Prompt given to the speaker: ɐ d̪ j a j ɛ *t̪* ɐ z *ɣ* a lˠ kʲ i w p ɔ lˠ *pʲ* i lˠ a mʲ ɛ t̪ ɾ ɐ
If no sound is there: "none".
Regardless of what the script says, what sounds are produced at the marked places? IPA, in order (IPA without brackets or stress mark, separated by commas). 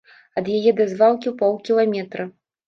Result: d̪, v, kʲ